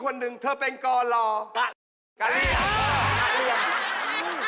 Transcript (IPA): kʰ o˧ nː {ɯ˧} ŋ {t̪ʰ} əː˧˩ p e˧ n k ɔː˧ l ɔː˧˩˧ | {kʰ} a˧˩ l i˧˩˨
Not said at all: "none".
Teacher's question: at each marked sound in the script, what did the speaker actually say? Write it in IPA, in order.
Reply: ɯ˨˩, t̪ʰ, k

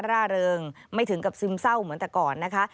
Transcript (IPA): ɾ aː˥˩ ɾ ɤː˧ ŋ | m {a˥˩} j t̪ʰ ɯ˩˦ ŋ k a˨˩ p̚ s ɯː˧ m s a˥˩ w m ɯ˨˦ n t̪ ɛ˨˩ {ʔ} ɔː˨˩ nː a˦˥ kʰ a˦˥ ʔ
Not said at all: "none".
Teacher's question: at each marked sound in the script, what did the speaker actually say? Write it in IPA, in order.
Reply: a˥˩, k

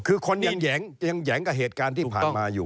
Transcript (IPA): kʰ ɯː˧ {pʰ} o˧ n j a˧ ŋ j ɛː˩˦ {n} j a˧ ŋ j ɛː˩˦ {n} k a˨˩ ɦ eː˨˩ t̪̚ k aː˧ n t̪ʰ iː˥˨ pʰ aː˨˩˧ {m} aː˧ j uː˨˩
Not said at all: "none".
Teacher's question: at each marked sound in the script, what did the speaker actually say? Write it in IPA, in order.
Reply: kʰ, ŋ, ŋ, m

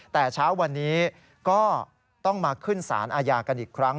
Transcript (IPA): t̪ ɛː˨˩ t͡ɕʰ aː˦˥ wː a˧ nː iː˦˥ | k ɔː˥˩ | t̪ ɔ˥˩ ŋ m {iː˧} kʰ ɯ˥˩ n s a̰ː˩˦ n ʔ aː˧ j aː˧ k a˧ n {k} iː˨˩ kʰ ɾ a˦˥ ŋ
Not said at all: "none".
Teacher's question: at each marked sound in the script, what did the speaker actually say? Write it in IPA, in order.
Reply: aː˧, ʔ

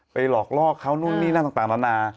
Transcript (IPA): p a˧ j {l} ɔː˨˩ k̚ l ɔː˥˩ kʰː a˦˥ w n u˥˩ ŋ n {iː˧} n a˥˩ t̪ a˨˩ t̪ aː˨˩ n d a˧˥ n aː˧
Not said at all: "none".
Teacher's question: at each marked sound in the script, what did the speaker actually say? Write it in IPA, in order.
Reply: l, iː˥˩

